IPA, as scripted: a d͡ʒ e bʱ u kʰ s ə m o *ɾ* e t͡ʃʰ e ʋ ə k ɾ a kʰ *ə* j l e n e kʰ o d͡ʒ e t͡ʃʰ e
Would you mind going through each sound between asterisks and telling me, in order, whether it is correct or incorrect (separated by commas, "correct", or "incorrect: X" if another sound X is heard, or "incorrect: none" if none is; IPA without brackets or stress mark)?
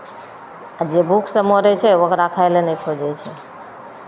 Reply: correct, incorrect: a